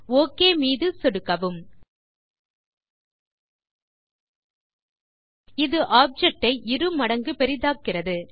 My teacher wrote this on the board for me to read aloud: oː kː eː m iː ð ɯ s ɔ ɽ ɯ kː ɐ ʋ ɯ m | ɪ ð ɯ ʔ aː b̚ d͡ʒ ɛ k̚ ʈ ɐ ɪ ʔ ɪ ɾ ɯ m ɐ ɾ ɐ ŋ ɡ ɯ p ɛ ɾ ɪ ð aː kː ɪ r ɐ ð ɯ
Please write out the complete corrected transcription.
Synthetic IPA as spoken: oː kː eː m iː ð ɯ s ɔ ɽ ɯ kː ɐ ʋ ɯ m | ɪ ð ɯ ʔ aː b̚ d͡ʒ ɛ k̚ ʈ ɐ ɪ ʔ ɪ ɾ ɯ m ɐ ɽ ɐ ŋ ɡ ɯ p ɛ ɾ ɪ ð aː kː ɪ r ɐ ð ɯ